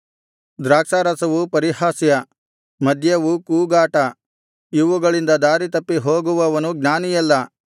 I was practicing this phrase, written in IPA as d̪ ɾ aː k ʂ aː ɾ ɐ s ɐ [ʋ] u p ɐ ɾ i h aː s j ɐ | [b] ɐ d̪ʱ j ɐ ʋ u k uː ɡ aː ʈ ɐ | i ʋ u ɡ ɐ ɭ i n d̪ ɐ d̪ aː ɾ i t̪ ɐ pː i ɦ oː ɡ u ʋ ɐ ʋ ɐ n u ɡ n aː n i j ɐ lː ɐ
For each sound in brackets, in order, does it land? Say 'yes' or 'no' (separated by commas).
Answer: yes, no